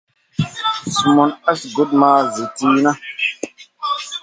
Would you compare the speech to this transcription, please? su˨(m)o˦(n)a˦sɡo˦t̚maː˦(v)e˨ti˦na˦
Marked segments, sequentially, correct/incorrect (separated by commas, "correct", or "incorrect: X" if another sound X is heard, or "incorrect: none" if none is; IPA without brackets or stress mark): correct, correct, incorrect: z